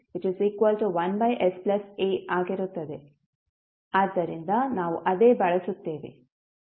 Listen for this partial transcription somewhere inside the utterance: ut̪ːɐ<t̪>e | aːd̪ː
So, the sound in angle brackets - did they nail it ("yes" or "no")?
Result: no